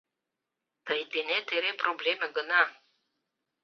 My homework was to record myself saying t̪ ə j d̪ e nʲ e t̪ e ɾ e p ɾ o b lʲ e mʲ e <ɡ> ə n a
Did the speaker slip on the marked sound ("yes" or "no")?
no